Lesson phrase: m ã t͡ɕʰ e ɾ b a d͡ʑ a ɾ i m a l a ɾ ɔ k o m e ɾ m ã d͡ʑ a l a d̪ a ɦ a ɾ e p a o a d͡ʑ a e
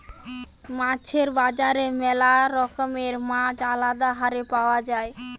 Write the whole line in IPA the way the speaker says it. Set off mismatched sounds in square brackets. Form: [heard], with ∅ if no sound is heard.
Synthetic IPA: m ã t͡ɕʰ e ɾ b a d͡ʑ a ɾ [e] m [ɛ] l a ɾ ɔ k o m e ɾ m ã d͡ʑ a l a d̪ a ɦ a ɾ e p a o a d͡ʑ a e